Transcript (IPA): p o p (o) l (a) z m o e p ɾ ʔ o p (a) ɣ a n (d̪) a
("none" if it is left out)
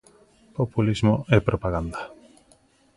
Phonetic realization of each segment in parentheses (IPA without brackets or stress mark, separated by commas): u, i, a, d̪